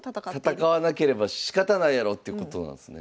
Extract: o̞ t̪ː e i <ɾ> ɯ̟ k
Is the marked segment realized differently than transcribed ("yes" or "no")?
yes